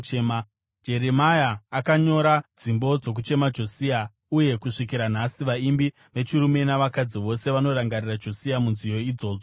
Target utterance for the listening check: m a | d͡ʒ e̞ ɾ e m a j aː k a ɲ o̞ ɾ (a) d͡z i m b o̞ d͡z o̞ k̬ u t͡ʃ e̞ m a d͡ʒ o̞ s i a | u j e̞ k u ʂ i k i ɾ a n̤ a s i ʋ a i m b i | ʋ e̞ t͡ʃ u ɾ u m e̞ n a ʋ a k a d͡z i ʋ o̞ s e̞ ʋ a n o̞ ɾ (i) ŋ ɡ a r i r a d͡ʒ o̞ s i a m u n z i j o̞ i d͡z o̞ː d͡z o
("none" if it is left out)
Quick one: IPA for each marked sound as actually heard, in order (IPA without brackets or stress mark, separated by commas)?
a, a